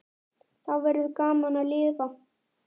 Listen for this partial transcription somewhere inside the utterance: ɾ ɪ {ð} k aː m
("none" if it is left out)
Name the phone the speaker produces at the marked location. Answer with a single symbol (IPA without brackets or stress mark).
ð